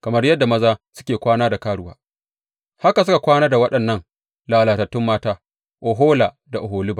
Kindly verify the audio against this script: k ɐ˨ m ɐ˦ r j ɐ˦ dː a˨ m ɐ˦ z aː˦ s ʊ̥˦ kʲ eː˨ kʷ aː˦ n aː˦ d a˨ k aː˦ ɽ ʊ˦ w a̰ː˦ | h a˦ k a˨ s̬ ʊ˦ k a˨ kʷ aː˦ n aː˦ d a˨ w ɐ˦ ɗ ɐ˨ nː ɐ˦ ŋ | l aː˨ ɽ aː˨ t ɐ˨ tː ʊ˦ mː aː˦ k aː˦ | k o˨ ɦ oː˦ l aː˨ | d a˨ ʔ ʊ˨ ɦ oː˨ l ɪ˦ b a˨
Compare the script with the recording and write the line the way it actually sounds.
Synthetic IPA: k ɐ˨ m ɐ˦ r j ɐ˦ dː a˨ m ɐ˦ z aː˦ s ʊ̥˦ kʲ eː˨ kʷ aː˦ n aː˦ d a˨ k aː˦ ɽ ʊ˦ w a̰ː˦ | h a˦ k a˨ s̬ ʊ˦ k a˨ kʷ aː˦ n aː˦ d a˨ w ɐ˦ ɗ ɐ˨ nː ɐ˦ ŋ | l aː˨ l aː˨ t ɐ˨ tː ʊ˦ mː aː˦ t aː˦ | ʔ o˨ ɦ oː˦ l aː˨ | d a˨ ʔ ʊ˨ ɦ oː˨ l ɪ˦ b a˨